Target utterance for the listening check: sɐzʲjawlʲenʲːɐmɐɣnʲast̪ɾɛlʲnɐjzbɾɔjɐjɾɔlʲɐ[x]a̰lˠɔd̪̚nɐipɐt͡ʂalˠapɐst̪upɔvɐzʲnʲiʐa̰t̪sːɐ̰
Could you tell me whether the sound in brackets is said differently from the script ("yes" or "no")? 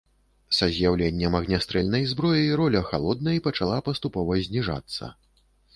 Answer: no